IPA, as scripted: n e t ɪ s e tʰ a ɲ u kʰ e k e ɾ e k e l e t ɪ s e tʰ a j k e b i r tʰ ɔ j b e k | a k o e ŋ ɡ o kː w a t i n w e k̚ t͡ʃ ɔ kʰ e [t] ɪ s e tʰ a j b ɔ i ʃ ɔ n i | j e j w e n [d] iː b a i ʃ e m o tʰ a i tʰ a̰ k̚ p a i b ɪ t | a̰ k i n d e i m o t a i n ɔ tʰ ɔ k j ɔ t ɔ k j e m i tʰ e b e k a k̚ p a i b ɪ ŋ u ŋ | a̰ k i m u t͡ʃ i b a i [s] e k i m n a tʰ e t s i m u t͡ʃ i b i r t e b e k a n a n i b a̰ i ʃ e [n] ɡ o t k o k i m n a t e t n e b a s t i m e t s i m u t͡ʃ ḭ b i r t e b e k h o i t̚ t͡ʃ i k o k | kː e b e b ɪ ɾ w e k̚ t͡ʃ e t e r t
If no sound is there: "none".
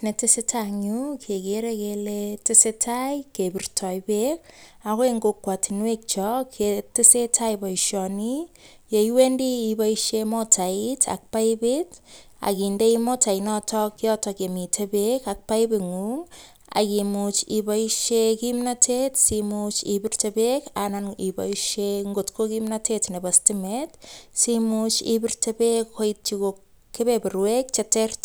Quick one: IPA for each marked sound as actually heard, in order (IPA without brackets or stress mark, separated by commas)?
t, d, ʃ, ŋ